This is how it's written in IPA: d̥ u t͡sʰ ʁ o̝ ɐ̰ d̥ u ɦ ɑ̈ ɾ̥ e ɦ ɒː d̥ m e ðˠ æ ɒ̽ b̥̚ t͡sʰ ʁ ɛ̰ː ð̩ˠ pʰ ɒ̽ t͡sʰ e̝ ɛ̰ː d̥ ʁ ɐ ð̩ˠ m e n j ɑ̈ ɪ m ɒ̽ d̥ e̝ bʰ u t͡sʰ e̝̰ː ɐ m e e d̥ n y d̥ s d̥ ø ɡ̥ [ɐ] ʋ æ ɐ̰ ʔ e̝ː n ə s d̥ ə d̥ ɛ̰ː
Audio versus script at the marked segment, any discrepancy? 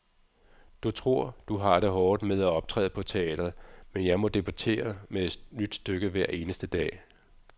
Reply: yes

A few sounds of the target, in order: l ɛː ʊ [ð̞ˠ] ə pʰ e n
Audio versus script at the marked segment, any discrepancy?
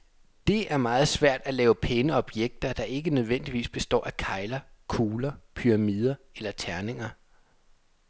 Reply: yes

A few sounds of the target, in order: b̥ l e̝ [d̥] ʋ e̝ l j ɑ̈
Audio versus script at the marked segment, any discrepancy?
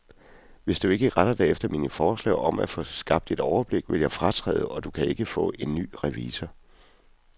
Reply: yes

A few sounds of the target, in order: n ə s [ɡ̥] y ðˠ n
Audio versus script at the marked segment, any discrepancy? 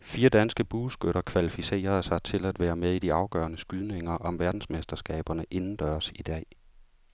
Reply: no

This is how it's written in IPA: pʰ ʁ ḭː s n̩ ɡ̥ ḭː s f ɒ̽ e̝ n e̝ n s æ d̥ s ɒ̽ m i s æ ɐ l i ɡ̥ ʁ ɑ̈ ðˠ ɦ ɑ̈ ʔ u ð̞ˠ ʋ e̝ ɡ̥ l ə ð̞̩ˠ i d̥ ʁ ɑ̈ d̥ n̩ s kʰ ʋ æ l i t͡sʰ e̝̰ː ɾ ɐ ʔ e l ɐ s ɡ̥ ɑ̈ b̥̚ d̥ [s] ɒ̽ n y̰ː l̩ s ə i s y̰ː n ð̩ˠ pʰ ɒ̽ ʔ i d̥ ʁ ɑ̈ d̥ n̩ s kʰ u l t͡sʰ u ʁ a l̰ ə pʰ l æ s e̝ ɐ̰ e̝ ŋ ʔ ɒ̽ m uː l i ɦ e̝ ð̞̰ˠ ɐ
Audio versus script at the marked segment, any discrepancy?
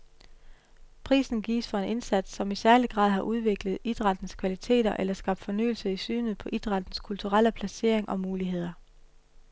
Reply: yes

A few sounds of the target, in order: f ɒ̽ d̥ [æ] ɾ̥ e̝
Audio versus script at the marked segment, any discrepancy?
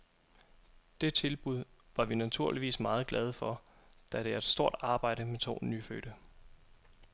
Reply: no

